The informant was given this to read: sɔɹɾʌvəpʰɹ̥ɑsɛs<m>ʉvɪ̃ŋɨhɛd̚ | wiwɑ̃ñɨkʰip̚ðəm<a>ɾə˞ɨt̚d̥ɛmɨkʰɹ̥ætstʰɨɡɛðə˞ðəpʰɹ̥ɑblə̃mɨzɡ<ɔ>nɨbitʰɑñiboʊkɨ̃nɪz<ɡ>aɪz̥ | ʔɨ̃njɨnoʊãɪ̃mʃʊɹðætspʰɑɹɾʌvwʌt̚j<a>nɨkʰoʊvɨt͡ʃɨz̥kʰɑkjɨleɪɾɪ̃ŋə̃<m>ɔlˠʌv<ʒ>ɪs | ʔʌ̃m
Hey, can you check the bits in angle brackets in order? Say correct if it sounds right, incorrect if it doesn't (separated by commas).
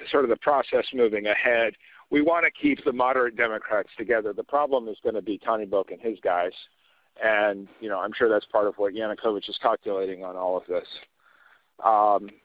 correct, incorrect, incorrect, correct, incorrect, incorrect, incorrect